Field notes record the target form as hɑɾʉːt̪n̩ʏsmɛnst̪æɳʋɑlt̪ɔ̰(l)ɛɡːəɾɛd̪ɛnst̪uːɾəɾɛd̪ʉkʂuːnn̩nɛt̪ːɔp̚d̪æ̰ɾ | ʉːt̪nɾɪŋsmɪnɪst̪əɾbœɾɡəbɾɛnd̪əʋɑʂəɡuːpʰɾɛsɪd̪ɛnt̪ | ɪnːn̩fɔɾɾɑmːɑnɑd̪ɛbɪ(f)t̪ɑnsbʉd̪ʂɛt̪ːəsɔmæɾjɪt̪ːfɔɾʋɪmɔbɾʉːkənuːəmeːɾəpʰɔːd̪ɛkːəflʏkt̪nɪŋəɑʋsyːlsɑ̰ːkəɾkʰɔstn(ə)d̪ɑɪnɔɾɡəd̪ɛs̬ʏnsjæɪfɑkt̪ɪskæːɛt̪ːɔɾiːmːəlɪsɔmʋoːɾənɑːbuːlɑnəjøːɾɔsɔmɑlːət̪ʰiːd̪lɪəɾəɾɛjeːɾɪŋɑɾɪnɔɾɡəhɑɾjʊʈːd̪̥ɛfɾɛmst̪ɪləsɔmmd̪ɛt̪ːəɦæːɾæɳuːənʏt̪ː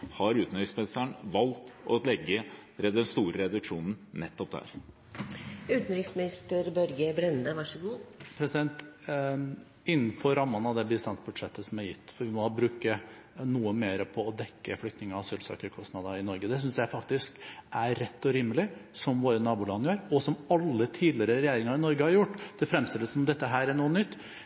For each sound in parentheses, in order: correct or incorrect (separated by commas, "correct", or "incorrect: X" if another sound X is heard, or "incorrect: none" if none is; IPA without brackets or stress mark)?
correct, incorrect: s, incorrect: ɑ